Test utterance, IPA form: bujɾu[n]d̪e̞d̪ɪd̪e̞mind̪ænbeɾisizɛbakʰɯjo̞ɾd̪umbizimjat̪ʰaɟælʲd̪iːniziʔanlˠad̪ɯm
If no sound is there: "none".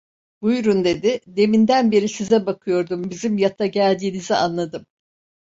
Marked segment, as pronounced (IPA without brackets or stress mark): n